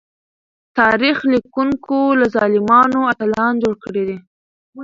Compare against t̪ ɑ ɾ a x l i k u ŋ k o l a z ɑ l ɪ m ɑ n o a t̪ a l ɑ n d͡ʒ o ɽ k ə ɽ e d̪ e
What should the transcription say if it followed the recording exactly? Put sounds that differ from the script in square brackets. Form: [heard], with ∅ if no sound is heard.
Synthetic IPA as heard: t̪ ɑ ɾ [i] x l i k u ŋ k o l a z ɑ l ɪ m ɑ n o a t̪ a l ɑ n d͡ʒ o ɽ k ə ɽ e d̪ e